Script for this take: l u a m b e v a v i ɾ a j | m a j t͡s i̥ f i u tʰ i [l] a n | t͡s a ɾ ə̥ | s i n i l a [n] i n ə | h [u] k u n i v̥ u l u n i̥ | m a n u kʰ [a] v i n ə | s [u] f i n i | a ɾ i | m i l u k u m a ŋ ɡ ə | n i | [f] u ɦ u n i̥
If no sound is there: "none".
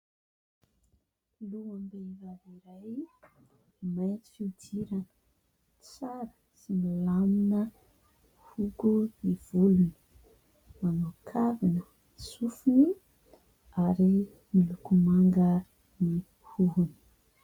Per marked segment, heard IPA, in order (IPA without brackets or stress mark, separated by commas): ɾ, m, u, a, u, h